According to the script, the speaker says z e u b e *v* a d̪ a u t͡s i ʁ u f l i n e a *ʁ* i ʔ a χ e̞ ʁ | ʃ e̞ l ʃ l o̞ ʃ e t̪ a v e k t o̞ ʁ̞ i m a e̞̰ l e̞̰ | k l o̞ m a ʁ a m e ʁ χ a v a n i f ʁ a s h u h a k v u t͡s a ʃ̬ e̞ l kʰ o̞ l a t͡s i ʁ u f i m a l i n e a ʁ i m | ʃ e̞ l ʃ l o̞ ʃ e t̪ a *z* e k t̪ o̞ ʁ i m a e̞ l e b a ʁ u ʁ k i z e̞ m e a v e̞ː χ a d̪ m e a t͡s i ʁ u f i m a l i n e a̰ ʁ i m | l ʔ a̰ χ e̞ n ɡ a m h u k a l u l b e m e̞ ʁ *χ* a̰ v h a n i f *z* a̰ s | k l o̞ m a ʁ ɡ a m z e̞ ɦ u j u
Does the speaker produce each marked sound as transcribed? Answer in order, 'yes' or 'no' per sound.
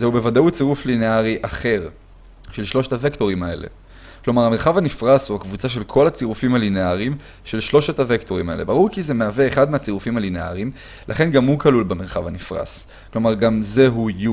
yes, yes, no, yes, no

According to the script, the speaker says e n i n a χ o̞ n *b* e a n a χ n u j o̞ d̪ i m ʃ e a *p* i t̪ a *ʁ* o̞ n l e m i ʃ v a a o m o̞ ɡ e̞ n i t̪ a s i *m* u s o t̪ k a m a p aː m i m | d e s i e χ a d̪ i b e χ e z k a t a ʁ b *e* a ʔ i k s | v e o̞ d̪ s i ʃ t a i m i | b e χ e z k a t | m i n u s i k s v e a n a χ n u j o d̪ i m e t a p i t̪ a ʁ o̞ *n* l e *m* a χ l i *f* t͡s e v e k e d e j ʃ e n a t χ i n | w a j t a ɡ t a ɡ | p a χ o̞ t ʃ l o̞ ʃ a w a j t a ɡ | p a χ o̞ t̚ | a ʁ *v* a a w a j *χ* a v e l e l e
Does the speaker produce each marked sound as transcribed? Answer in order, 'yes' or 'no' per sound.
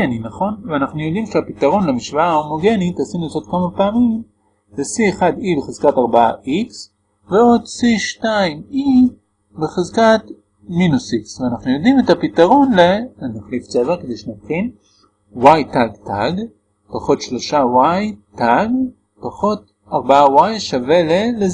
no, yes, yes, no, no, yes, no, yes, no, no

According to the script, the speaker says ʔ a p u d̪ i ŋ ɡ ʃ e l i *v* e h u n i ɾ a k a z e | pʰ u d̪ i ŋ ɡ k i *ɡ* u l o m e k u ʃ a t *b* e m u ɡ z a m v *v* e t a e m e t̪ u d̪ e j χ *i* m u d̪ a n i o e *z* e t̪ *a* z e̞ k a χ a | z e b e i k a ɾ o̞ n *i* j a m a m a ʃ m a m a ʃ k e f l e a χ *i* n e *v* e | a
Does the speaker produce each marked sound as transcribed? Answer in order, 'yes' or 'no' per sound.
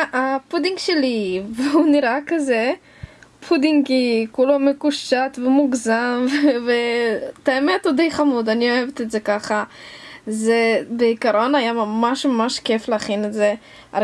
yes, no, no, yes, no, no, no, no, yes, no

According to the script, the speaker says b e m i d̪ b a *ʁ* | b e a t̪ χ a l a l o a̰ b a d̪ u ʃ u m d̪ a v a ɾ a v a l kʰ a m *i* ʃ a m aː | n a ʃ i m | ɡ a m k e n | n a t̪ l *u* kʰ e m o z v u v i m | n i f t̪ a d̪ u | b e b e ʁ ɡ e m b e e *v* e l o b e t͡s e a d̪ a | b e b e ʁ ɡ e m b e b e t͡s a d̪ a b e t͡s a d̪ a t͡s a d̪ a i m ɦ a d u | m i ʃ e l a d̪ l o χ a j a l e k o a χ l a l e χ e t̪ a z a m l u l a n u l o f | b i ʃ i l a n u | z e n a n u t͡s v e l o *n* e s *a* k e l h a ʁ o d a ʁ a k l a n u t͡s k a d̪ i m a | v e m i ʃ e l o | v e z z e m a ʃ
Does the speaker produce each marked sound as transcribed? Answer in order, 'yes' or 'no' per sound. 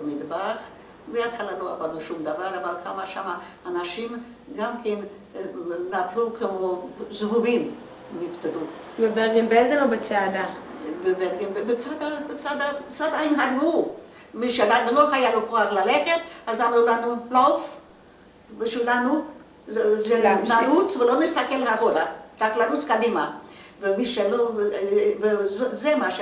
no, no, yes, no, yes, yes

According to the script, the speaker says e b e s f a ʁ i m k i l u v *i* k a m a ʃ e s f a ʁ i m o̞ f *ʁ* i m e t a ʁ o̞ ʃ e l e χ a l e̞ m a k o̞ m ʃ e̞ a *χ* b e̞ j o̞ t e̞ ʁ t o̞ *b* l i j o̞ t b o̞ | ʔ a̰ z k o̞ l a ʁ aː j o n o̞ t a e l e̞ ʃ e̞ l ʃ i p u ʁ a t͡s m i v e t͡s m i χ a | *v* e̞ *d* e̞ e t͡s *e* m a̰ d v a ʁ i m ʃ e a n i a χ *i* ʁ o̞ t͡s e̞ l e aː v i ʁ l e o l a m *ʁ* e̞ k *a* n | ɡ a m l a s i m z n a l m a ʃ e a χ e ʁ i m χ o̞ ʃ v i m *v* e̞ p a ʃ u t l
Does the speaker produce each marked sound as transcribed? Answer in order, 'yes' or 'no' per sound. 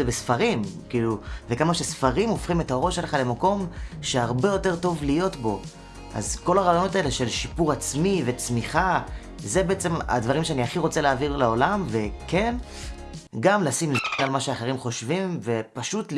no, no, no, no, no, no, yes, yes, no, no, yes

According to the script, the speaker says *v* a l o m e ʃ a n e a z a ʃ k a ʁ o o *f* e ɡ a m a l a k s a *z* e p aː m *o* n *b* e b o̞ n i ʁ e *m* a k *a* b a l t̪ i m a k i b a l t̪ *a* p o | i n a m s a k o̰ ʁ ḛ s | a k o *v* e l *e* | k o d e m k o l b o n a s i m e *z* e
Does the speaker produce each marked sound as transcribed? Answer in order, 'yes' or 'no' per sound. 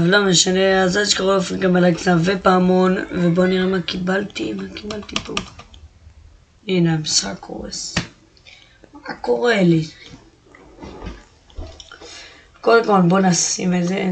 yes, yes, no, yes, no, yes, no, no, no, no, yes

